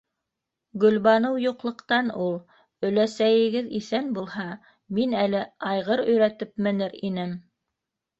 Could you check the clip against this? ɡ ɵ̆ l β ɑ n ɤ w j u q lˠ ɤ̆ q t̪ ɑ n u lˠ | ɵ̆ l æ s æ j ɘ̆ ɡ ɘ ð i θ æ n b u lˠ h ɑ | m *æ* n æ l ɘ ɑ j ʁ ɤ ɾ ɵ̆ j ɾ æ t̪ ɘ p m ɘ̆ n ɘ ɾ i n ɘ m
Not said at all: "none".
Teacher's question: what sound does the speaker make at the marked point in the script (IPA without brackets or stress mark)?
i